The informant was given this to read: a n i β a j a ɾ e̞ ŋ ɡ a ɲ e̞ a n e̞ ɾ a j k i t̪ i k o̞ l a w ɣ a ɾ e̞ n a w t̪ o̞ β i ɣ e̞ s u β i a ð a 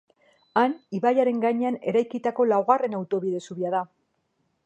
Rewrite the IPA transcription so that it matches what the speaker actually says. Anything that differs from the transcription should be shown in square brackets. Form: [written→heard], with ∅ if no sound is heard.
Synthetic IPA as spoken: a n i β a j a ɾ e̞ ŋ ɡ a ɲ e̞ a n e̞ ɾ a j k i t̪ [i→a] k o̞ l a w ɣ a [ɾ→r] e̞ n a w t̪ o̞ β i [ɣ→ð] e̞ s u β i a ð a